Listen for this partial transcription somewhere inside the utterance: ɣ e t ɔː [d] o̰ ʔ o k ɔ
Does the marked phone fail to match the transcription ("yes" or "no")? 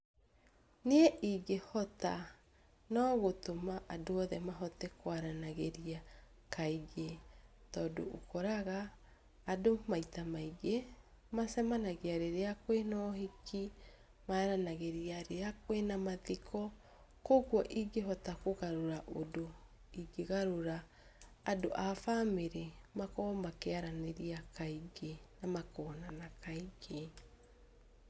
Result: no